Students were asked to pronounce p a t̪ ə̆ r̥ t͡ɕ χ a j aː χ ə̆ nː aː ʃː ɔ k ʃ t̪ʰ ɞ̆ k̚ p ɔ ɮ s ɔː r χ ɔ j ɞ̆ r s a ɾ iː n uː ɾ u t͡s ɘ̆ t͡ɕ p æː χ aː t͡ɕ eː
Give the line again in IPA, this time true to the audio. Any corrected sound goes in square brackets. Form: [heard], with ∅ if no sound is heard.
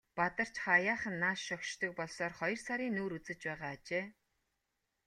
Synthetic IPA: p a t̪ ə̆ r̥ t͡ɕ χ a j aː χ ə̆ nː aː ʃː ɔ k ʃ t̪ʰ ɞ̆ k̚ p ɔ ɮ s ɔː r χ ɔ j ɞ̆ r s a ɾ iː n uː ɾ u t͡s ɘ̆ t͡ɕ p æː [ʁ] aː t͡ɕ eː